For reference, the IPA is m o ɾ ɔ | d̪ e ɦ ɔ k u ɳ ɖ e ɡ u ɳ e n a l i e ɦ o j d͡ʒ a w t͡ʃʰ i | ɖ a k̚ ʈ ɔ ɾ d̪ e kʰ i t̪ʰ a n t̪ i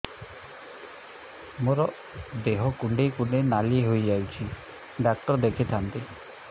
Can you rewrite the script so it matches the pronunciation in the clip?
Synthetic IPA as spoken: m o ɾ ɔ | d̪ e ɦ ɔ k u ɳ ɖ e k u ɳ e n a l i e ɦ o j d͡ʒ a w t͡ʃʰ i | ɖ a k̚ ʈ ɔ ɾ d̪ e kʰ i t̪ʰ a n t̪ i